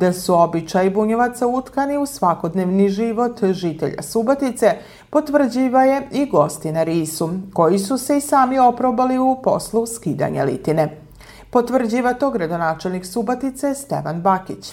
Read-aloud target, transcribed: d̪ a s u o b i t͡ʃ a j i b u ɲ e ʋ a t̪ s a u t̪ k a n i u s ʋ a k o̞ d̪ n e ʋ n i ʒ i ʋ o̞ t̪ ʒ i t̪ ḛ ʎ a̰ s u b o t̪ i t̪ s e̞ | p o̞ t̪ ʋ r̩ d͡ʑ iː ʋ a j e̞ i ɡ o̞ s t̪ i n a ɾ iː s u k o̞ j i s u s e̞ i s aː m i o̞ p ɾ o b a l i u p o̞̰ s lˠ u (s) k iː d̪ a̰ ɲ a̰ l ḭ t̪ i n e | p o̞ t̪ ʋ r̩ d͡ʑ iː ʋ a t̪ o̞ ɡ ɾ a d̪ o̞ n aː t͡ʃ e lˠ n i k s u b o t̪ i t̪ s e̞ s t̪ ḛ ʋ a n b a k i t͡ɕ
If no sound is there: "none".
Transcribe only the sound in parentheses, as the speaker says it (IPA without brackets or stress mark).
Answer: s